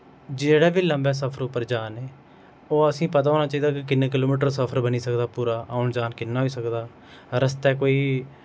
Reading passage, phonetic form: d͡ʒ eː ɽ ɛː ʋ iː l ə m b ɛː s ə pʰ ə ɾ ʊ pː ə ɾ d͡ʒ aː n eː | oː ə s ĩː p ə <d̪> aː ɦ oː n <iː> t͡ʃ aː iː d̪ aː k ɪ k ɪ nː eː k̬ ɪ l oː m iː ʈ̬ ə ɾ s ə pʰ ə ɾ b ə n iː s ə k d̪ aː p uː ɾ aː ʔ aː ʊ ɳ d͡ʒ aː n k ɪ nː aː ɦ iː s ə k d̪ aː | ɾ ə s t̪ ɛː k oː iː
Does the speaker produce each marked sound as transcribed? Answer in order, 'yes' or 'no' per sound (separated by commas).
no, no